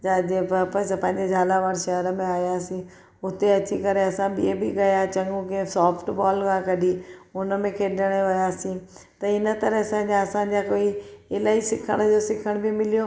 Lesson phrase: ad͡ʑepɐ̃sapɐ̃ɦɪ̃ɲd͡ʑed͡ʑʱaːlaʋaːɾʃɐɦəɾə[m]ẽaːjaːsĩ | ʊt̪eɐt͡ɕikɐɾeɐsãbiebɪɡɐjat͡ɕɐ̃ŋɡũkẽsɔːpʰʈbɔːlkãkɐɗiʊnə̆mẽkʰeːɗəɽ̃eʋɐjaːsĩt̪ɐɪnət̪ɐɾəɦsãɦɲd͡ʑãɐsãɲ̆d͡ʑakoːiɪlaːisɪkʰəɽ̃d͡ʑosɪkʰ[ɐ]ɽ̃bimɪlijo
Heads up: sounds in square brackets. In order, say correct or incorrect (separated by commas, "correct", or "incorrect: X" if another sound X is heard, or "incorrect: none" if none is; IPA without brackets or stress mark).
correct, incorrect: ə